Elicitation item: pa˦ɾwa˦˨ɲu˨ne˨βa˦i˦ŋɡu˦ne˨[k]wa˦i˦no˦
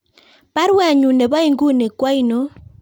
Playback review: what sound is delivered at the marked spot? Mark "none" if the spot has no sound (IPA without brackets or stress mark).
k